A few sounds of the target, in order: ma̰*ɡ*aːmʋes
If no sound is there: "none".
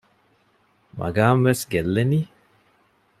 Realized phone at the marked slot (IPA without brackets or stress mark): ɡ